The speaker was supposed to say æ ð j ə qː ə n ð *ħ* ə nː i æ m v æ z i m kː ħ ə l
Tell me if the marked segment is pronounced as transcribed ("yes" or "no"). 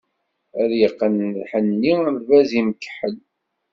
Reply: yes